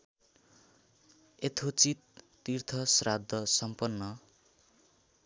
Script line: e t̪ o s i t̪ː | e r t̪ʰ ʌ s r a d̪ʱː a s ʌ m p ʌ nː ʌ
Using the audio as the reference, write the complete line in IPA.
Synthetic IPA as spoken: e t̪ʰ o t͡s i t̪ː | i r t̪ʰ ʌ s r a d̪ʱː ʌ s ʌ m p ʌ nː ʌ